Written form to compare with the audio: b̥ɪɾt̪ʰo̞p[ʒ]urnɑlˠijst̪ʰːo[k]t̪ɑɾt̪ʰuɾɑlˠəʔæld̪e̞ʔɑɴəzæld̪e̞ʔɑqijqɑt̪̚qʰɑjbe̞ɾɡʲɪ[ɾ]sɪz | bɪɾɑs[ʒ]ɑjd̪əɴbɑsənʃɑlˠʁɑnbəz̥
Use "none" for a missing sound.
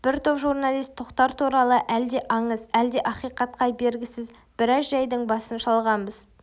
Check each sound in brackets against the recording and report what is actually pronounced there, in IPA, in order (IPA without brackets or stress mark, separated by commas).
ʒ, q, none, ʒ